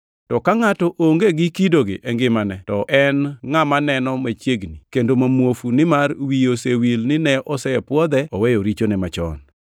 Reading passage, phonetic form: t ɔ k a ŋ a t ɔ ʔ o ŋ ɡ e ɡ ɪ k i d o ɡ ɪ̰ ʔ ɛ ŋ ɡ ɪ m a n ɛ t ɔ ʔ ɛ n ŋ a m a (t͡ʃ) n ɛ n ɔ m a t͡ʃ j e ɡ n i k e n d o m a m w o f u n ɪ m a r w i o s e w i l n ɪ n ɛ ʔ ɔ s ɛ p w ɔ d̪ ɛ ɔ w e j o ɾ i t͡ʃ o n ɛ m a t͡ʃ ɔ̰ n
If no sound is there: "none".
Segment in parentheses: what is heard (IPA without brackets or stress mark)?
none